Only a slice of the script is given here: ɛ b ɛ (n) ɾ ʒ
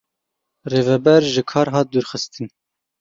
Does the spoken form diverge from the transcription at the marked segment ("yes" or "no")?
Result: yes